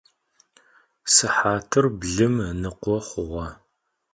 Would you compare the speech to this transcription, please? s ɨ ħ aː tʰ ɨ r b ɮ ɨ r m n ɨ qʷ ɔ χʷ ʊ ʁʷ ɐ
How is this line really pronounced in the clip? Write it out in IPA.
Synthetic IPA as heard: s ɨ ħ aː tʰ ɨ r b ɮ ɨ m n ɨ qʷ ɔ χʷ ʊ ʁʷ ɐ